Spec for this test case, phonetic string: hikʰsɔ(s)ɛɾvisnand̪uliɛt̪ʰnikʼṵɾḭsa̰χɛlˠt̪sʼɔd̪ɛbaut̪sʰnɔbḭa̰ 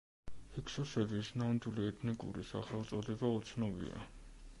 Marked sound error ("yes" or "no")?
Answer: no